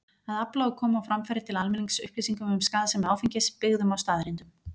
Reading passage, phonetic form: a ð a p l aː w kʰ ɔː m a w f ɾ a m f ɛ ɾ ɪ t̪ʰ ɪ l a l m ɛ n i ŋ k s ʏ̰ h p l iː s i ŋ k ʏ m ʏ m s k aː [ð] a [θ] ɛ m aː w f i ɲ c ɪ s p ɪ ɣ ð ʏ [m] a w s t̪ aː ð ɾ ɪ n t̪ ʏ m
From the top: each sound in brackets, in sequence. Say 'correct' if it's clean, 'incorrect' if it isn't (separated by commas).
correct, incorrect, correct